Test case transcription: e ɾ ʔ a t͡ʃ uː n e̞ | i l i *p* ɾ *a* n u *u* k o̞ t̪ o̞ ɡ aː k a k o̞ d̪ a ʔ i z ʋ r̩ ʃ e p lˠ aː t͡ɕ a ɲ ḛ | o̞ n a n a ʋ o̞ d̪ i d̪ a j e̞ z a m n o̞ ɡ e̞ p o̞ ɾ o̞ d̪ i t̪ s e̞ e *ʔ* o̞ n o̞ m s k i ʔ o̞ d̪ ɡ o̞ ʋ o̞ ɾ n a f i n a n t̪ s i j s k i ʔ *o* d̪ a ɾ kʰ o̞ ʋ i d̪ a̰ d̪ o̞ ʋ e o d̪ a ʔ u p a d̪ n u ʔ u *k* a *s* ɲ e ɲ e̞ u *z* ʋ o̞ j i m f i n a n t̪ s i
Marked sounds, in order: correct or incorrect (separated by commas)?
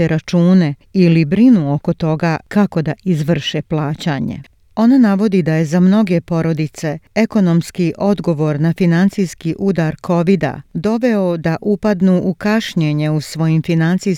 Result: incorrect, incorrect, incorrect, incorrect, incorrect, correct, incorrect, incorrect